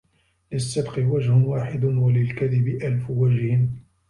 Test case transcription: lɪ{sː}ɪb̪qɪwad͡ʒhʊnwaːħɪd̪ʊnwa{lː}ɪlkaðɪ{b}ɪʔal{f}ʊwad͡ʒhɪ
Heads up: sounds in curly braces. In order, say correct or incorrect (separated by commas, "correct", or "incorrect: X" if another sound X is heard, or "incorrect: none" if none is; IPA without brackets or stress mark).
correct, incorrect: l, correct, correct